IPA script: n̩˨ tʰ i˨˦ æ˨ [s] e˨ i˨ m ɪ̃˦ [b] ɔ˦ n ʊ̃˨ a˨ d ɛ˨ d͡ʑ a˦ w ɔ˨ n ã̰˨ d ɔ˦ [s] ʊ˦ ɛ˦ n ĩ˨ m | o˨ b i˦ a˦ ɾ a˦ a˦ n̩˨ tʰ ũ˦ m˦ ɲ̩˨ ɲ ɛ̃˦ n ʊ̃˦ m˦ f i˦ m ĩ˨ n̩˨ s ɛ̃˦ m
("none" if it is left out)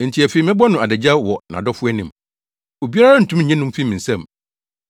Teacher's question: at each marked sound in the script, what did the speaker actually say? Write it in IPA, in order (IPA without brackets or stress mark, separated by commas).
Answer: f, b, f